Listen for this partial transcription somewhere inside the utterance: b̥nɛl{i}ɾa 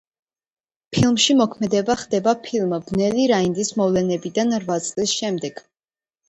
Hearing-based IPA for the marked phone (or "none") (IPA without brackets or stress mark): i